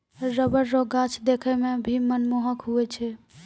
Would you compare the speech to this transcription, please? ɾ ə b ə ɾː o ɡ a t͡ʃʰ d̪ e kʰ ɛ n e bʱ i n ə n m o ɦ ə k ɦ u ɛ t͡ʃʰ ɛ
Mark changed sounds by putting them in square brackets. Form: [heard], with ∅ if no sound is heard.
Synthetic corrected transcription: ɾ ə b ə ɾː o ɡ a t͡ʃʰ d̪ e kʰ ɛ [m] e bʱ i [m] ə n m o ɦ ə k ɦ u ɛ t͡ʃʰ ɛ